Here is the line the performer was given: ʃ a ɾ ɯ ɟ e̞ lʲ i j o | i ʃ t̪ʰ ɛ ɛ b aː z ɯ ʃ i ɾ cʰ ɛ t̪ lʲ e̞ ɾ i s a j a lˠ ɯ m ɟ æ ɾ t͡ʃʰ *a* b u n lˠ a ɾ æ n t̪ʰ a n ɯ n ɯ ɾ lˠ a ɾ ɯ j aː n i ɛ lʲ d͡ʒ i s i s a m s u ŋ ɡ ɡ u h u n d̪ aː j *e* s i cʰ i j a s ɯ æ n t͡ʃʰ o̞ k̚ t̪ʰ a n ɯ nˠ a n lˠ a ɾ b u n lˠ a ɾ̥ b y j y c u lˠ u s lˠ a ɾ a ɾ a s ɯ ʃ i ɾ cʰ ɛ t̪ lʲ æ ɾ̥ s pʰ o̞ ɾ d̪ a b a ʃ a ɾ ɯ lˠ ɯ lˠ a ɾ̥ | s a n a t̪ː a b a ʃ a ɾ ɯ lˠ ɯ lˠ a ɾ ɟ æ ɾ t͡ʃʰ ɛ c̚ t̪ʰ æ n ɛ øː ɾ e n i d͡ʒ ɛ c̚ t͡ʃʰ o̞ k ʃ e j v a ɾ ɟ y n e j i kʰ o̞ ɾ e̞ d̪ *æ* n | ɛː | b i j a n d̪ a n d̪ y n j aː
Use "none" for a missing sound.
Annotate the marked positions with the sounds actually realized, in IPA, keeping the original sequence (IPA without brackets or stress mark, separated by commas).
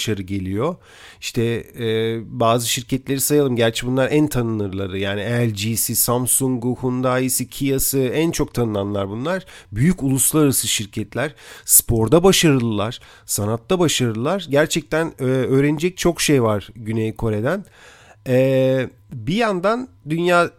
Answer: ɛ, i, æ